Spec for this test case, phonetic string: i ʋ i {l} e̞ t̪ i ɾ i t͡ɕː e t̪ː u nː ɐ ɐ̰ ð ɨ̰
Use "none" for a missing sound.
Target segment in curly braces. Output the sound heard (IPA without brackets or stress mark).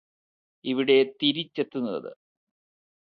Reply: ɽ